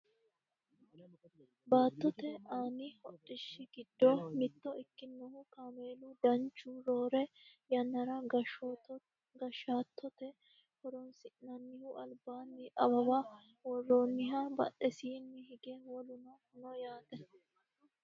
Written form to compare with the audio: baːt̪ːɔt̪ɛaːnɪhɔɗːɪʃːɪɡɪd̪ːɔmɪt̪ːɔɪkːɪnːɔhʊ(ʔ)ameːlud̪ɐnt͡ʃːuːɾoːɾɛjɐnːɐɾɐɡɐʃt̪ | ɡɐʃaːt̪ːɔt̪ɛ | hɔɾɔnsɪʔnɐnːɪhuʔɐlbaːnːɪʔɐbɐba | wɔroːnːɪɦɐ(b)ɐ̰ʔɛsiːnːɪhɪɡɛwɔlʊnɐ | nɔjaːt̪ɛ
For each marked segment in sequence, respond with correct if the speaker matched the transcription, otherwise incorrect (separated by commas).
incorrect, correct